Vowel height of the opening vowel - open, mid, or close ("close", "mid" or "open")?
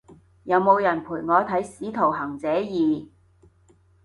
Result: open